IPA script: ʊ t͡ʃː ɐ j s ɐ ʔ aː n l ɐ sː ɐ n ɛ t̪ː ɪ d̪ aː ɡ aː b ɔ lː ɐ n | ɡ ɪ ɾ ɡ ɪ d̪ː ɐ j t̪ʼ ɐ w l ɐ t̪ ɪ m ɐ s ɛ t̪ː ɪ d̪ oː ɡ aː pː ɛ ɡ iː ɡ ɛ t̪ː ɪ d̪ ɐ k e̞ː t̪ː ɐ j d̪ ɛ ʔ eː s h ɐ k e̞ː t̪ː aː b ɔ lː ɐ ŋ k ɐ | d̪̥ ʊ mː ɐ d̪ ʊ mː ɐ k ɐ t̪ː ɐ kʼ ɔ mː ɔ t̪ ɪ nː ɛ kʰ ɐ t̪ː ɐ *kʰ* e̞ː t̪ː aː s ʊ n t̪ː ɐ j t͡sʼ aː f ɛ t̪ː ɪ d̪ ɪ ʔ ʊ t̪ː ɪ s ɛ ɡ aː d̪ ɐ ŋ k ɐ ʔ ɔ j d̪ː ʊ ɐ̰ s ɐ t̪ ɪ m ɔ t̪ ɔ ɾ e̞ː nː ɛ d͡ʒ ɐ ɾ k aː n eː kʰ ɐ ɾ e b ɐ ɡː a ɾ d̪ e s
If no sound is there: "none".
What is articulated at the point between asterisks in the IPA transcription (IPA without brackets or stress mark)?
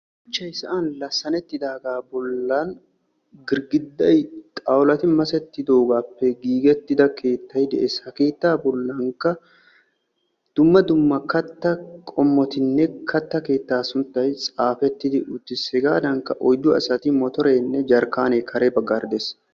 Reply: k